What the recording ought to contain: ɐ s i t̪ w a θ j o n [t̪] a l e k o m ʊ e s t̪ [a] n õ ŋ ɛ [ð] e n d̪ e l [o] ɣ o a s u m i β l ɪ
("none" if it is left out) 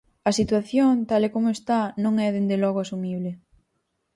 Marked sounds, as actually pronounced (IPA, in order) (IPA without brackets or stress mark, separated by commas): t̪, a, ð, ɔ